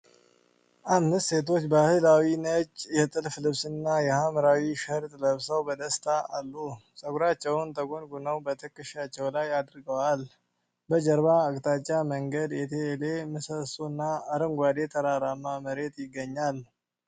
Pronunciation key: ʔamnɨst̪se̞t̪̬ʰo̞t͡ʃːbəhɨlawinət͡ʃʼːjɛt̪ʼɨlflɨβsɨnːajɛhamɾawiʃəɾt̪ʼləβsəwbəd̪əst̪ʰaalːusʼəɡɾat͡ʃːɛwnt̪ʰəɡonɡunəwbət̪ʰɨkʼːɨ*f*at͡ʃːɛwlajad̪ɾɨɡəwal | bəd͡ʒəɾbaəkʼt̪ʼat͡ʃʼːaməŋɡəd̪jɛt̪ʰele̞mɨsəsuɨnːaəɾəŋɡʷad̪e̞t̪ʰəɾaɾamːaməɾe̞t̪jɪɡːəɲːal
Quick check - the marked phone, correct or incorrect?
incorrect